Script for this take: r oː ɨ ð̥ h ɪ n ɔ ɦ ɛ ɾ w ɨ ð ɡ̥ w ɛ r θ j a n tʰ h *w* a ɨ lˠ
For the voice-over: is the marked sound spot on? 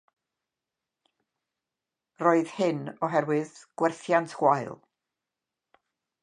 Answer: yes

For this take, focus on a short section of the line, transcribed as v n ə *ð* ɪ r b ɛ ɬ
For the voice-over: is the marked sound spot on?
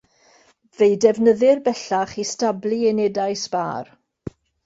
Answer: yes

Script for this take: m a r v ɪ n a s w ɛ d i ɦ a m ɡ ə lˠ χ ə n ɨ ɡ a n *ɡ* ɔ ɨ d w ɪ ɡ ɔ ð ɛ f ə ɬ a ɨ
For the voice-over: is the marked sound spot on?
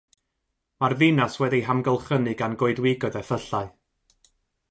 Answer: yes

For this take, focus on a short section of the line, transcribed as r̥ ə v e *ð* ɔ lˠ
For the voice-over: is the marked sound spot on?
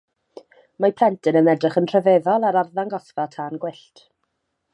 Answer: yes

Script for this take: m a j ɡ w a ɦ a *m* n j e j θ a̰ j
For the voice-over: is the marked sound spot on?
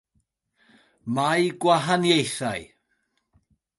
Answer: no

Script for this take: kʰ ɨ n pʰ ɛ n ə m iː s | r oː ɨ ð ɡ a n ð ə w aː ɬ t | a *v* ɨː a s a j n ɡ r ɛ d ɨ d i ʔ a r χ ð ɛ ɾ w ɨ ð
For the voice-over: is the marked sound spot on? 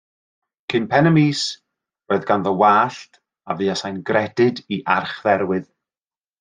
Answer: yes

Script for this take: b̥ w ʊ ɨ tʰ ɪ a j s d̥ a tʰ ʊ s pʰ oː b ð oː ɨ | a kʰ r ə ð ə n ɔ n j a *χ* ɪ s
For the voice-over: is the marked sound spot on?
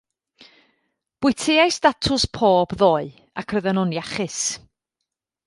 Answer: yes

